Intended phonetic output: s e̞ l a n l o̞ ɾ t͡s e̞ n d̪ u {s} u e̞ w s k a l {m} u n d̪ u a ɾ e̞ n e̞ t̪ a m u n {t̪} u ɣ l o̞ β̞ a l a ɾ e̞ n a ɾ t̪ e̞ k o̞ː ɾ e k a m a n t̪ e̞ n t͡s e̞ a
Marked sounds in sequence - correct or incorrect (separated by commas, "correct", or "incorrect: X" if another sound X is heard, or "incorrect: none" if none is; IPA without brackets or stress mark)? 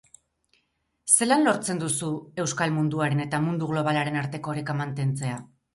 correct, correct, incorrect: d̪